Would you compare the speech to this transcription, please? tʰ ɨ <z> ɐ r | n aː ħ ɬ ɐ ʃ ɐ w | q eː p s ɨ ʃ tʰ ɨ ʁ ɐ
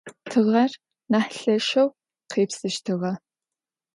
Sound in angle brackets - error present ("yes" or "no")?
yes